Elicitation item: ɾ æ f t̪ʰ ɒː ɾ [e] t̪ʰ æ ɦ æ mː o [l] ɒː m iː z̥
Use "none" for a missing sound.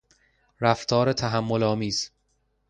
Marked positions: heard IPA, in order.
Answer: e, l

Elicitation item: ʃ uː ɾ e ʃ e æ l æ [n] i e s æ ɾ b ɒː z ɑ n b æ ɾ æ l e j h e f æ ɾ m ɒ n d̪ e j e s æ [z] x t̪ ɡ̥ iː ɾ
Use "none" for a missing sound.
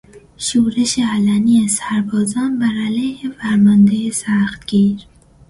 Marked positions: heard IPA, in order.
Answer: n, none

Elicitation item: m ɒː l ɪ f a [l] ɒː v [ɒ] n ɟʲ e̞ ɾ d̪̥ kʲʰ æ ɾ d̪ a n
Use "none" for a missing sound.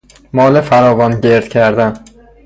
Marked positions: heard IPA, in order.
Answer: ɾ, ɒ

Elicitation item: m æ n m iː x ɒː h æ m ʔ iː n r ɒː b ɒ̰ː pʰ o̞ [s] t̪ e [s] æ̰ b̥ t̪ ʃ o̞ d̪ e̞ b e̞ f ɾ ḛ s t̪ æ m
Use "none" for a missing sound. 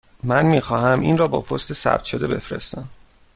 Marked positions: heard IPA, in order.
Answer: s, s

